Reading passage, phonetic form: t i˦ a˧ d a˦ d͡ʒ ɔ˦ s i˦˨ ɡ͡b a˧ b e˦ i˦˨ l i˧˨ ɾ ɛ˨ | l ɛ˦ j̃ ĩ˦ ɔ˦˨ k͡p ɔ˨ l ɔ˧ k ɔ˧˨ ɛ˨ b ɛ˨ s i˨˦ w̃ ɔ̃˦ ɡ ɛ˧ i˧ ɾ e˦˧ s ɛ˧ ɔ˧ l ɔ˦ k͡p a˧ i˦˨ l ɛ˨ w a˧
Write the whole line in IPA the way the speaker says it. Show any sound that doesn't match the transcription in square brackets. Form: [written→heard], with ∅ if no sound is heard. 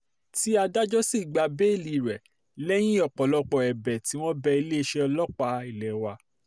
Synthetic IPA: t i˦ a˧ d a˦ d͡ʒ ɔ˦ s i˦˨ ɡ͡b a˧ b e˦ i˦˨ l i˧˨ ɾ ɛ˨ | l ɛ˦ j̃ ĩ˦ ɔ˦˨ k͡p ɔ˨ l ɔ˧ [k→k͡p] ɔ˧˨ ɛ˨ b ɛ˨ [s→t] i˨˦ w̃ ɔ̃˦ [ɡ→b] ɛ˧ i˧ [ɾ→l] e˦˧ [s→ʃ] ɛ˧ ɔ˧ l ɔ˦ k͡p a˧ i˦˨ l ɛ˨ w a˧